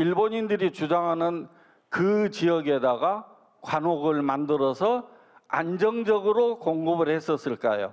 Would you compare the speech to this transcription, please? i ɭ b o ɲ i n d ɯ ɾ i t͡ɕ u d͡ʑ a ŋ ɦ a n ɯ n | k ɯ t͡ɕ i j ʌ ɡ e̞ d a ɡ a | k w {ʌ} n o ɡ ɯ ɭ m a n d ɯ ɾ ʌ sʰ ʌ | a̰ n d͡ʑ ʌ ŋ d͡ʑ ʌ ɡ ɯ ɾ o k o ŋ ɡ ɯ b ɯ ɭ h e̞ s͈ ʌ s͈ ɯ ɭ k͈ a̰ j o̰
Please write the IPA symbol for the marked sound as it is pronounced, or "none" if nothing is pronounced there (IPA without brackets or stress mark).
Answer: a